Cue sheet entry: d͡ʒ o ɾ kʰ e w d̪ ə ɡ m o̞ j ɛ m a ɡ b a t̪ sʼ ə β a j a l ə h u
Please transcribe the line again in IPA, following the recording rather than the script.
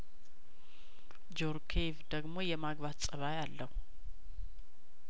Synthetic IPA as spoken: d͡ʒ o ɾ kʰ e v d̪ ə ɡ m o̞ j ɛ m a ɡ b a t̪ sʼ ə β a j a lː ə h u

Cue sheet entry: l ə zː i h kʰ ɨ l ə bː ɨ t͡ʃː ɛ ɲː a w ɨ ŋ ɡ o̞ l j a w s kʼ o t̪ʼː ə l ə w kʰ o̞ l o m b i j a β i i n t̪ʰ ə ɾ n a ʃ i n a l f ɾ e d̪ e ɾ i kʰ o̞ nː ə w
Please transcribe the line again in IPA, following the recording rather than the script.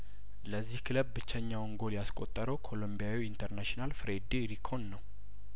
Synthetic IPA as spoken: l ə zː i h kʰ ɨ l ə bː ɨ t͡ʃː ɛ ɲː a w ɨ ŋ ɡ o̞ l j a s kʼ o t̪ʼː ə ɾ ə w kʰ o̞ l o m b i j a w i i n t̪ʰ ə ɾ n a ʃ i n a l f ɾ e d̪ e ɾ i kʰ o̞ nː ə w

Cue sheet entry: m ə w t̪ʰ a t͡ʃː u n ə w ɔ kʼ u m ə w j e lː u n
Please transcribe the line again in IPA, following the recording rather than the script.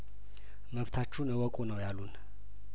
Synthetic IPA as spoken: m ə β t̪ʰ a t͡ʃː u n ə w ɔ kʼ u n ə w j a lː u n

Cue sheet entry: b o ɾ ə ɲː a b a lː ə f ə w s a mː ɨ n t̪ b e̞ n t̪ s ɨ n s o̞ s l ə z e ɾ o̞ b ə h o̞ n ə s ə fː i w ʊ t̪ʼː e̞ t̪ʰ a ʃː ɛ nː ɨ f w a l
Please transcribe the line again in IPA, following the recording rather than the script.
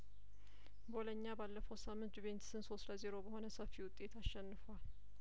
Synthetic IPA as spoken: b o l ə ɲː a b a lː ə f ə w s a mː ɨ n t̪ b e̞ n t̪ s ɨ n s o̞ s l ə z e ɾ o̞ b ə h o̞ n ə s ə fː i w ʊ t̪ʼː e̞ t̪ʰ a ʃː ɛ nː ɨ f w a l

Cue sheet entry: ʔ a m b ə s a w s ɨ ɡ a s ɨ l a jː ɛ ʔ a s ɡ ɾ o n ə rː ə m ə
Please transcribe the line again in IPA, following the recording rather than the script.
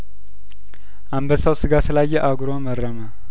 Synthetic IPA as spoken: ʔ a m b ə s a w s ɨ ɡ a s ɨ l a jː ɛ ʔ a ɡ ɾ o m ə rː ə m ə

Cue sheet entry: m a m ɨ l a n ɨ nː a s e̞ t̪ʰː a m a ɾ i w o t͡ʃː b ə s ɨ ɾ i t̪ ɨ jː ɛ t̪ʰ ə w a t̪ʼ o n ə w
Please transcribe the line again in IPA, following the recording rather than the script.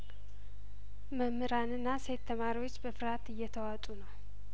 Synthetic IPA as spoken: m ə m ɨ ɾ a n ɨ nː a s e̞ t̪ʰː ə m a ɾ i w o t͡ʃː b ə f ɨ ɾ a t̪ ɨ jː ɛ t̪ʰ ə w a t̪ʼ u n ə w

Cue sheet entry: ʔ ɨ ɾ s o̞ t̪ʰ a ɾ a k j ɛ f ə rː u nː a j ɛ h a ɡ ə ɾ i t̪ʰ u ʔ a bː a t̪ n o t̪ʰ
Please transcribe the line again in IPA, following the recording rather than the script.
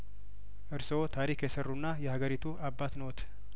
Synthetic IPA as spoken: ʔ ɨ ɾ s o̞ t̪ʰ a ɾ i k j ɛ s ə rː u nː a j ɛ h a ɡ ə ɾ i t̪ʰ u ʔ a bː a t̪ n o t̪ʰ

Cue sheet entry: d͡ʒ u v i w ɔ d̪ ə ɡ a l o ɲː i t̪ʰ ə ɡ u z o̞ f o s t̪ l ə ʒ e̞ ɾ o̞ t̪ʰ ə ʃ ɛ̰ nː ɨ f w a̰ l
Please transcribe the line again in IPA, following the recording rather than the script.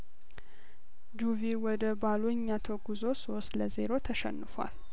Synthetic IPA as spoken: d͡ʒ u v i w ɔ d̪ ə b a l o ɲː a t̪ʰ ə ɡ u z o̞ s o s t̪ l ə z e̞ ɾ o̞ t̪ʰ ə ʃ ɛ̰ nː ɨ f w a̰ l

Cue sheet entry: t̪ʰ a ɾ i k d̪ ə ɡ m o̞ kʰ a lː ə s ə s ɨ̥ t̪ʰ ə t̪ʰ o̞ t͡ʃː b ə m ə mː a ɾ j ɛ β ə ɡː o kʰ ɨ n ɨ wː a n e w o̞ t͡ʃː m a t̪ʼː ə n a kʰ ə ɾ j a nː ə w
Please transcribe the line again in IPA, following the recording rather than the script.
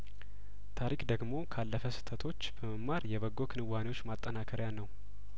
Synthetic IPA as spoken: t̪ʰ a ɾ i k d̪ ə ɡ m o̞ kʰ a lː ə f ə s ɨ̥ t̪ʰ ə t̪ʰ o̞ t͡ʃː b ə m ə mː a ɾ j ɛ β ə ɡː o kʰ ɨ n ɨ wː a n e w o̞ t͡ʃː m a t̪ʼː ə n a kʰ ə ɾ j a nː ə w

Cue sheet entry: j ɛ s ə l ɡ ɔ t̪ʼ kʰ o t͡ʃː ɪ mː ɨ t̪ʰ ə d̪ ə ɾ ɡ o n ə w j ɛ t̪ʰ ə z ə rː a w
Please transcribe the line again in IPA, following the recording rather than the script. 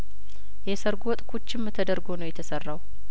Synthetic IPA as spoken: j ɛ s ə ɾ ɡ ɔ t̪ʼ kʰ o t͡ʃː ɪ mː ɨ t̪ʰ ə d̪ ə ɾ ɡ o n ə w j ɛ t̪ʰ ə s ə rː a w

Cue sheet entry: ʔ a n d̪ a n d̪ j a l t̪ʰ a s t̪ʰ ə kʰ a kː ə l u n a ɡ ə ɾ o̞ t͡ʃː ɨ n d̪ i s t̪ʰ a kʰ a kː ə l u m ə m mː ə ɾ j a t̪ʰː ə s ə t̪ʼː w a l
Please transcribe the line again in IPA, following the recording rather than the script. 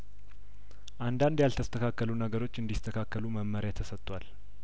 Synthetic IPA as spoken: ʔ a n d̪ a n d̪ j a l t̪ʰ ə s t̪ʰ ə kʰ a kː ə l u n ə ɡ ə ɾ o̞ t͡ʃː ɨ n d̪ i s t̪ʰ ə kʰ a kː ə l u m ə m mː ə ɾ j a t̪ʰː ə s ə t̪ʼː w a l

